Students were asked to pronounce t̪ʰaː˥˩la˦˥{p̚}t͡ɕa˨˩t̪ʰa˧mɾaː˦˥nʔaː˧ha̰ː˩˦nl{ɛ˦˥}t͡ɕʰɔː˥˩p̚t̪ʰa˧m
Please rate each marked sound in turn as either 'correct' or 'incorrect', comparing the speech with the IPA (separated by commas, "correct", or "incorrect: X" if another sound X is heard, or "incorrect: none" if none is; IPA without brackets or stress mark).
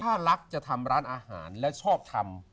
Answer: incorrect: k̚, correct